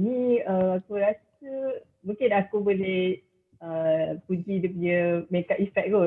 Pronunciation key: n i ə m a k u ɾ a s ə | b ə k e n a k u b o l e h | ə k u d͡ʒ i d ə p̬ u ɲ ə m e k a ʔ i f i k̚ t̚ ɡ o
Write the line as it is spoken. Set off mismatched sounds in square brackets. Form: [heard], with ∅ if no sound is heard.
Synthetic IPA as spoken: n i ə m a k u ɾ a s ə | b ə k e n a k u b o l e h | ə [p] u d͡ʒ i d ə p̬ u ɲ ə m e k a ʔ i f [ɛ] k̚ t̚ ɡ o